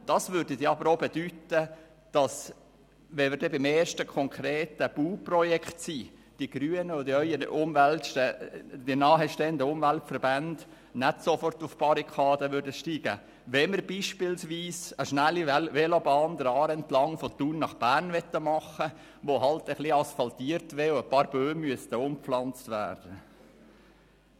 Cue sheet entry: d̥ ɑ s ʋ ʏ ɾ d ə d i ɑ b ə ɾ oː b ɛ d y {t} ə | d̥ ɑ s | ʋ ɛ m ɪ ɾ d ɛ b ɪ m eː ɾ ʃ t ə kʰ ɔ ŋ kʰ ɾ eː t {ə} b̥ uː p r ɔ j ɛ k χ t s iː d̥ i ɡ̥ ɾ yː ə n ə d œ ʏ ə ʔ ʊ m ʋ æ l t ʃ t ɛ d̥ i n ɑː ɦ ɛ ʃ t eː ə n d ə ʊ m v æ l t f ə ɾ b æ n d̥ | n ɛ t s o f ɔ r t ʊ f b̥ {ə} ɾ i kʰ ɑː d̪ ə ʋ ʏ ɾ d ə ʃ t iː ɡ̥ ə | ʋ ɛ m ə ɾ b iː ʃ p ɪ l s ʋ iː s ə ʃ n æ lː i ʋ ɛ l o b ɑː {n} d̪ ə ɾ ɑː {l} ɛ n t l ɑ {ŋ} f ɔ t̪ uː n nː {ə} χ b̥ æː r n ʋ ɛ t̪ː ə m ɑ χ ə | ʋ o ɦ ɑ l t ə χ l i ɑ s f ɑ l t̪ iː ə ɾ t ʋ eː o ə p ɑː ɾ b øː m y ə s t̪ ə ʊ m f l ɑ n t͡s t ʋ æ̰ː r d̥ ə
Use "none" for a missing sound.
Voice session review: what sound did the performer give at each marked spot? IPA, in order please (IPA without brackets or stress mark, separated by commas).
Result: t, ə, ɑ, n, ɾ, ŋ, ɑ